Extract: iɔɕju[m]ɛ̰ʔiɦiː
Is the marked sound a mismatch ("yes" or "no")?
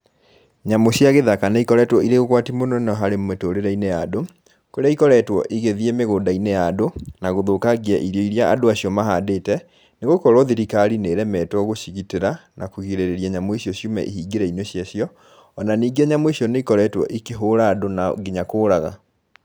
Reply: no